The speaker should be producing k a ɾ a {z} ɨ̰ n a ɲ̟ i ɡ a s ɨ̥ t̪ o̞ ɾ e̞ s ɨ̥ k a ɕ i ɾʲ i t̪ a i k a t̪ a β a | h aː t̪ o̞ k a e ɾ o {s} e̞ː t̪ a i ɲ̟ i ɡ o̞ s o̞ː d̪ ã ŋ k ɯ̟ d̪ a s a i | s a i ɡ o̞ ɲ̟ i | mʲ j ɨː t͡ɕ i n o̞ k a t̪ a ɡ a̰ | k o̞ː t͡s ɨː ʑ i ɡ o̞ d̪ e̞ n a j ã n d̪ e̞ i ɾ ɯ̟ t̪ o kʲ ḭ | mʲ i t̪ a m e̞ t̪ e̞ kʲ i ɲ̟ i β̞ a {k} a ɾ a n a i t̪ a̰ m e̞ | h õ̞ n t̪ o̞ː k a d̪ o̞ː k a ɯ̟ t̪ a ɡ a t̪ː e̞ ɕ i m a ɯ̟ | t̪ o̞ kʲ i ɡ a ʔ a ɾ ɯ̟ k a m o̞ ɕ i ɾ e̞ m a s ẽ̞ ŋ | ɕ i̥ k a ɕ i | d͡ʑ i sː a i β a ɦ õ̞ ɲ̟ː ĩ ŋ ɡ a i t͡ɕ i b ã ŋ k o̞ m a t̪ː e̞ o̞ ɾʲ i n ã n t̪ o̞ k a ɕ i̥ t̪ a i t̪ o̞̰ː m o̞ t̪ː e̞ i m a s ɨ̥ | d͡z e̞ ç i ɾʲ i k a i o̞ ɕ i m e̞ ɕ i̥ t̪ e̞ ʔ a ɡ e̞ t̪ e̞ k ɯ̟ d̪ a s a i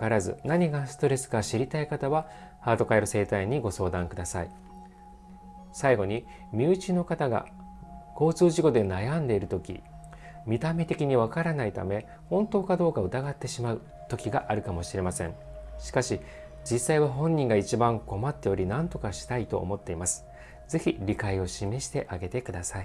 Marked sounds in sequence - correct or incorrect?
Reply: correct, correct, correct

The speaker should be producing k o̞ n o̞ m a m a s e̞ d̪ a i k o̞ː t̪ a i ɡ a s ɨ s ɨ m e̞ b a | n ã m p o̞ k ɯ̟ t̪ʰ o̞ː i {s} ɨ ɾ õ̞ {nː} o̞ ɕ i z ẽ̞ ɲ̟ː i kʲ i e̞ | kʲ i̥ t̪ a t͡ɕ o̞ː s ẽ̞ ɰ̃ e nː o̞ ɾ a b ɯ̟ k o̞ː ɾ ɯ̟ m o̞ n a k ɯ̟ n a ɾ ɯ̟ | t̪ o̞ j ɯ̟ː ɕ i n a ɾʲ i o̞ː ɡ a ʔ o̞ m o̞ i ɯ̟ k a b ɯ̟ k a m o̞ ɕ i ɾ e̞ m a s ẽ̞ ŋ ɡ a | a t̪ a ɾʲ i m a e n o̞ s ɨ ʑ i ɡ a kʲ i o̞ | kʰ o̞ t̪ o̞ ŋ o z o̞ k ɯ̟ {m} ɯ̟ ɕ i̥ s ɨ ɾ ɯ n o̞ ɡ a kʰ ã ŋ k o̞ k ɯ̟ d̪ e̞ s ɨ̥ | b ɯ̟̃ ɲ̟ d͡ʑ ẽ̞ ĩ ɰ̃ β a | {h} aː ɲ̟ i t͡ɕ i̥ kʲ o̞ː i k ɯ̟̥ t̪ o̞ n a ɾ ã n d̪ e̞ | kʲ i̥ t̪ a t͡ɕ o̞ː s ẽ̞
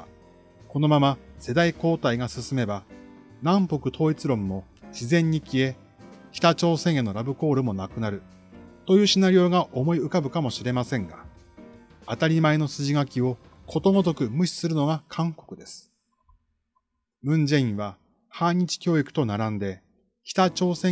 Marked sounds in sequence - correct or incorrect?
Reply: incorrect, incorrect, correct, correct

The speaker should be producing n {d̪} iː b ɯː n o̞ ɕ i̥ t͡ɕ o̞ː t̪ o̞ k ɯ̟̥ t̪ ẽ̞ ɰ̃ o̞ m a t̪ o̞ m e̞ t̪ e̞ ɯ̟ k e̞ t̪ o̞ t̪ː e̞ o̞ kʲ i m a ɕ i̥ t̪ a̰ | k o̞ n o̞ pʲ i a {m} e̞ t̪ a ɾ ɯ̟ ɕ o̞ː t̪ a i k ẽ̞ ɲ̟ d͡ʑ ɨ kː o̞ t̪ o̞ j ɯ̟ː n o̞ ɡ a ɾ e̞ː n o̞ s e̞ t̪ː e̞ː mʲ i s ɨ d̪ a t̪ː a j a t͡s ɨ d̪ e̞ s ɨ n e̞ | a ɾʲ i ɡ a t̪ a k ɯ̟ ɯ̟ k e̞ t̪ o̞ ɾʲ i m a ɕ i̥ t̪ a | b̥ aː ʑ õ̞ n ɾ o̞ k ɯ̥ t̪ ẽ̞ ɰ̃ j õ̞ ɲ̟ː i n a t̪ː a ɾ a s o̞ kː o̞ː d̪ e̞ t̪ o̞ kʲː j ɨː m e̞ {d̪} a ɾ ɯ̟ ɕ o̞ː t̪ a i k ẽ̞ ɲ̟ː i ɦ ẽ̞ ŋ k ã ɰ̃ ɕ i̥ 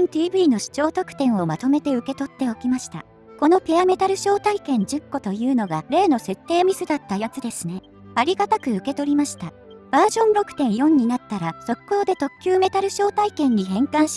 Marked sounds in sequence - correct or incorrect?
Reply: incorrect, correct, incorrect

